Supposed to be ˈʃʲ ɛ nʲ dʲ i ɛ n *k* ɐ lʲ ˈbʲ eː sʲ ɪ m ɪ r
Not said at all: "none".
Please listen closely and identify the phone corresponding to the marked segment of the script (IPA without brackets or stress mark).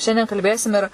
k